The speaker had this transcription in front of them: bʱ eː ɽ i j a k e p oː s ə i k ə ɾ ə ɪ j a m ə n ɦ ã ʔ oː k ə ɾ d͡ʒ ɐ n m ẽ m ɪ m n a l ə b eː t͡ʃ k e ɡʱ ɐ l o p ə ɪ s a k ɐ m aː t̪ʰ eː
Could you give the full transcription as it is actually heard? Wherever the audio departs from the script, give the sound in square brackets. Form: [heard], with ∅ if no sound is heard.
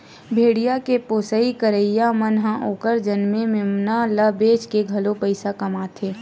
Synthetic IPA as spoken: bʱ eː ɽ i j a k e p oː s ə i k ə ɾ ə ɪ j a m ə n ɦ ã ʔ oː k ə ɾ d͡ʒ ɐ n m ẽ m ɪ m n a l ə b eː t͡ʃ k e ɡʱ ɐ l o p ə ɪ s a k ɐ m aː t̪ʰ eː